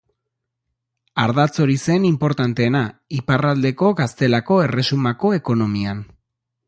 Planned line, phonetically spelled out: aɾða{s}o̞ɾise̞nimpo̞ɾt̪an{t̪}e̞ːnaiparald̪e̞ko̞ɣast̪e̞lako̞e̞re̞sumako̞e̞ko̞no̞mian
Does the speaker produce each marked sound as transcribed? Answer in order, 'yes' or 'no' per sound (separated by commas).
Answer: no, yes